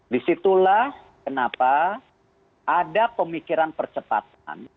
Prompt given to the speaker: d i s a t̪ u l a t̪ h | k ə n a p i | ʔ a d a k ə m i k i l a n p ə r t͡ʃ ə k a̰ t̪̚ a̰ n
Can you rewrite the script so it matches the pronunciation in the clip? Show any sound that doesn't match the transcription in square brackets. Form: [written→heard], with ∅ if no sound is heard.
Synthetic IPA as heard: d i s [a→i] t̪ u l a [t̪→∅] h | k ə n a p [i→a] | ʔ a d a [k→p] ə m i k i [l→ɾ] a n p ə r t͡ʃ ə [k→p] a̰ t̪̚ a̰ n